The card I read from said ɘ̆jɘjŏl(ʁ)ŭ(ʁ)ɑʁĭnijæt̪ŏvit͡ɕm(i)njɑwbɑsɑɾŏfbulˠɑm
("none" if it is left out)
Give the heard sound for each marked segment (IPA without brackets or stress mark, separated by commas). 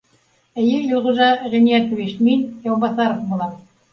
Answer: ʁ, ʒ, i